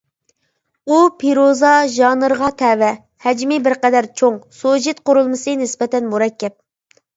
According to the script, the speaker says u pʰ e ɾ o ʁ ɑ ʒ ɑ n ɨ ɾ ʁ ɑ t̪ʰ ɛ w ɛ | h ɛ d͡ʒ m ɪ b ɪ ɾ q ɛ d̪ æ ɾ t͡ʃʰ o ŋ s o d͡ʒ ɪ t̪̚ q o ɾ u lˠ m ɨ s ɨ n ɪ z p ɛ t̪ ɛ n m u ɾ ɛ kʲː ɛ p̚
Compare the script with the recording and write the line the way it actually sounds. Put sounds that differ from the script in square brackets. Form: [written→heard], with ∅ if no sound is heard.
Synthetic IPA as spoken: u pʰ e ɾ o [ʁ→z] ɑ ʒ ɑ n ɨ ɾ ʁ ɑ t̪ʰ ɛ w ɛ | h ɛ d͡ʒ m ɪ b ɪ ɾ q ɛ d̪ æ ɾ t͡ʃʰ o ŋ s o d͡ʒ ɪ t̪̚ q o ɾ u lˠ m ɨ s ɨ n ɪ [z→s] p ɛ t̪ ɛ n m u ɾ ɛ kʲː ɛ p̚